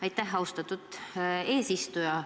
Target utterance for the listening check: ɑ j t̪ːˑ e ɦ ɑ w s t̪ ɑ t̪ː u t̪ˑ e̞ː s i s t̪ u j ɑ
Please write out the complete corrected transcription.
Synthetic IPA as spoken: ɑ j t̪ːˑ æ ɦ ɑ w s t̪ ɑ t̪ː u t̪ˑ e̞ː s i s t̪ u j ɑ

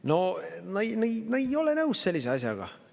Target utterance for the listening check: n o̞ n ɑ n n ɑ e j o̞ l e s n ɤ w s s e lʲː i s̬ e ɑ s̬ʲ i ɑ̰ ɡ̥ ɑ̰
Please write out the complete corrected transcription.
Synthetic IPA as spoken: n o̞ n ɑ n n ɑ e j o̞ l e n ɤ w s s e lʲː i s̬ e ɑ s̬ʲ j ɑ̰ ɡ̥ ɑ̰

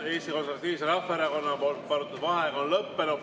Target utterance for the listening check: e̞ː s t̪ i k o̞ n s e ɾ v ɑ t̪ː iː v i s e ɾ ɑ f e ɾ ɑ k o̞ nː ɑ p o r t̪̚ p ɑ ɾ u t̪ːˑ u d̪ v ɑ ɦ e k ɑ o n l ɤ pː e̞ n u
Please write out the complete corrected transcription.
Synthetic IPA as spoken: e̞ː s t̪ i k o̞ n s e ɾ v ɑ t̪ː iː v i s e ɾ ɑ f e ɾ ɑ k o̞ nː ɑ p o l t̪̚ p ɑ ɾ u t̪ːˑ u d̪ v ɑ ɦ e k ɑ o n l ɤ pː e̞ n u

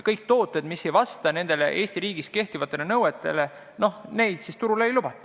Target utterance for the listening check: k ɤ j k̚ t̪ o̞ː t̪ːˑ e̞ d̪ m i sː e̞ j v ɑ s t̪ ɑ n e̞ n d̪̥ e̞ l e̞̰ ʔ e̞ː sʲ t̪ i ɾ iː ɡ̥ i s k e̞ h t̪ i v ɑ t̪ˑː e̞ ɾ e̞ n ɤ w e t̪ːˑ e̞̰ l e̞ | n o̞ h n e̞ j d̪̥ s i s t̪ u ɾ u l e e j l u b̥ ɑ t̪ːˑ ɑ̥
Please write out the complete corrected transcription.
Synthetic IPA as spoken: k ɤ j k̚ t̪ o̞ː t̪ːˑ e̞ d̪ m i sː e̞ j v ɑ s t̪ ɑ n e̞ n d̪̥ e̞ l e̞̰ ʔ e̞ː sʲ t̪ i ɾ iː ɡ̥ i s k e̞ h t̪ i v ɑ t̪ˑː e̞ l e̞ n ɤ w e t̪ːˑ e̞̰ l e̞ | n o̞ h n e̞ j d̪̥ s i s t̪ u ɾ u l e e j l u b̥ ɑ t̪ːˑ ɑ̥

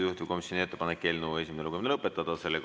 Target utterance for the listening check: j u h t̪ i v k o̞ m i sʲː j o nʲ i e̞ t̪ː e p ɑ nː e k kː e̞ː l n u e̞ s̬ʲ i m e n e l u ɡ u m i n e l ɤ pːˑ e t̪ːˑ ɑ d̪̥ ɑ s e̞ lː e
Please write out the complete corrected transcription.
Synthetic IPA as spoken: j u h t̪ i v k o̞ m i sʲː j o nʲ i e̞ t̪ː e p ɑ n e k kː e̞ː l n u e̞ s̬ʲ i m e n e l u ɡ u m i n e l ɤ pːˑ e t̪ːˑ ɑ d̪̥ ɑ s e̞ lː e

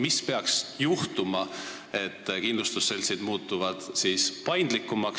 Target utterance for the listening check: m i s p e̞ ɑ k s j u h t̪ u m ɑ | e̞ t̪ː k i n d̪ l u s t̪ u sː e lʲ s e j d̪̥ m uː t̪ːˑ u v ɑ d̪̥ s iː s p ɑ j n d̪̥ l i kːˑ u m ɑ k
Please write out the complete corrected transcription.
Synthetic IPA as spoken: m i s p e̞ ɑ k s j u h t̪ u m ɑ | e̞ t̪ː k i n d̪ l u s t̪ u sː e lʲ s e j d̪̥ m uː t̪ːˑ u v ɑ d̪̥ s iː s p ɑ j n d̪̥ l i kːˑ u m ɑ k

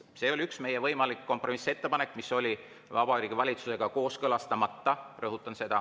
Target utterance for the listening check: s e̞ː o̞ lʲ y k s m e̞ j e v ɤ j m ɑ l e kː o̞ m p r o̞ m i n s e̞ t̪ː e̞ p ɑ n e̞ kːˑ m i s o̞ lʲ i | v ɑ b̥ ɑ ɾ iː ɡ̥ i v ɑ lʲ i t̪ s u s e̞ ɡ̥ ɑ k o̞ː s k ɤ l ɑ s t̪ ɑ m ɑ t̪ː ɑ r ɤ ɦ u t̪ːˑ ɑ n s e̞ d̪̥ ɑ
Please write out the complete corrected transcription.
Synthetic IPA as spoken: s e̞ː o̞ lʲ y k s m e̞ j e v ɤ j m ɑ l i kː o̞ m p r o̞ m i s e̞ t̪ː e̞ p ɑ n e̞ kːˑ m i s o̞ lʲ i | v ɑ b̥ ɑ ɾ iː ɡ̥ i v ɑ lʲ i t̪ s u s e̞ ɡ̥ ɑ k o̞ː s k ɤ l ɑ s t̪ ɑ m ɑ t̪ː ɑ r ɤ ɦ u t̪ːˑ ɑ n s e̞ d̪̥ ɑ

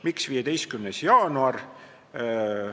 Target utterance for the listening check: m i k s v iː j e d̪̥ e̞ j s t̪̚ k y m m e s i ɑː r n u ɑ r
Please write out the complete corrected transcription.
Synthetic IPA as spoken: m i k s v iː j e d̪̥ e̞ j s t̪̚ k y m n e s j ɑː n u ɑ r

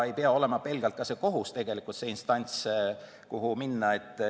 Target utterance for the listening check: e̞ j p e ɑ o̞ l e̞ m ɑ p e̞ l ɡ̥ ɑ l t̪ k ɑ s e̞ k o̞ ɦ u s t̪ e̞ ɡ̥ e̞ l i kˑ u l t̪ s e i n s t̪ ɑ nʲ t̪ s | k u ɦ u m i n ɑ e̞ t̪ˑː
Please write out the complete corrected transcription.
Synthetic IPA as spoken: e̞ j p e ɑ o̞ l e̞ m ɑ p e̞ l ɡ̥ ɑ l t̪ k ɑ s e̞ k o̞ ɦ u s t̪ e̞ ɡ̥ e̞ l i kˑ u l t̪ s e i n s t̪ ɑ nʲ t̪ s | k u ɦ u m i nː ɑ e̞ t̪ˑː

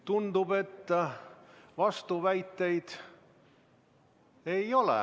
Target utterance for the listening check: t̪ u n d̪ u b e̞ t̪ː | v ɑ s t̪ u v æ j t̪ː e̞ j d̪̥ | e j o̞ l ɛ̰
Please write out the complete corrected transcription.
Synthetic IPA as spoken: t̪ u n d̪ u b e̞ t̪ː | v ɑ s t̪ u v æ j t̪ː e̞ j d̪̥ | e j o̞ l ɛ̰

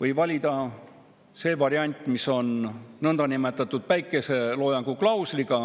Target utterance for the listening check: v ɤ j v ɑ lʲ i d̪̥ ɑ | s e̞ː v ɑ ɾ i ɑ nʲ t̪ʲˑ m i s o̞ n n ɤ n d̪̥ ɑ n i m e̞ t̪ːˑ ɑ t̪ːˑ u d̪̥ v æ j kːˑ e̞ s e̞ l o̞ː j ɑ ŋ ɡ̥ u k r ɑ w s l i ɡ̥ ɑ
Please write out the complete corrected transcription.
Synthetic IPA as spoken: v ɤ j v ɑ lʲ i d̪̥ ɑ | s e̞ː v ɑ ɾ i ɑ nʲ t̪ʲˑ m i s o̞ n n ɤ n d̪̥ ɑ n i m e̞ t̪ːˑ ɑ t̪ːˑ u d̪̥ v æ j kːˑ e̞ s e̞ l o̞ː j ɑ ŋ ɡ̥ u k l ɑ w s l i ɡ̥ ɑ

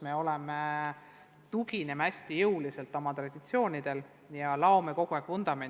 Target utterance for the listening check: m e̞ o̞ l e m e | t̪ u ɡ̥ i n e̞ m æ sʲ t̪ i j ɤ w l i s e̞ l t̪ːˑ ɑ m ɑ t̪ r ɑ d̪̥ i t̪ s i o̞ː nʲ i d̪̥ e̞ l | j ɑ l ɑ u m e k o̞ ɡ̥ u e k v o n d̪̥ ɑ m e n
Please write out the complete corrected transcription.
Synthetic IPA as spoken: m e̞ o̞ l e m e | t̪ u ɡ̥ i n e̞ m æ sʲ t̪ i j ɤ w l i s e̞ l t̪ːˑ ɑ m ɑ t̪ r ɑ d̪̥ i t̪ s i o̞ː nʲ i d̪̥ e̞ l | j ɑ l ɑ o m e k o̞ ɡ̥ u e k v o n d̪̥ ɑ m e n

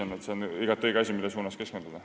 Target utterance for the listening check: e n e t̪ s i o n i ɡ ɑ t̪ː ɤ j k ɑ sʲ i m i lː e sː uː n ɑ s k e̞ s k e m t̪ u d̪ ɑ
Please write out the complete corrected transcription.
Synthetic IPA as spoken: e n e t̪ s e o n i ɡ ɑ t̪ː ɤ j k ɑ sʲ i m i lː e s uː n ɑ s k e̞ s k e n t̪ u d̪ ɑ

